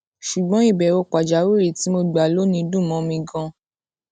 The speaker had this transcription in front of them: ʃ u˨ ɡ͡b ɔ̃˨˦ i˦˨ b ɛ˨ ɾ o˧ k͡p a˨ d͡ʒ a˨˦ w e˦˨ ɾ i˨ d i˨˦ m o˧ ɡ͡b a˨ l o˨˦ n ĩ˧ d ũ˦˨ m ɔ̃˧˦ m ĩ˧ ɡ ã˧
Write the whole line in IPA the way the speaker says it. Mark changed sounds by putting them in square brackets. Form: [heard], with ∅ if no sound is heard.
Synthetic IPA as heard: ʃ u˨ ɡ͡b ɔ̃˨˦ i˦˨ b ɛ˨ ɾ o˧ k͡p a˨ d͡ʒ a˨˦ w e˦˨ ɾ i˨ [t] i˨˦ m o˧ ɡ͡b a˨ l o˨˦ n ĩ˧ d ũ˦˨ m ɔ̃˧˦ m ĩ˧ ɡ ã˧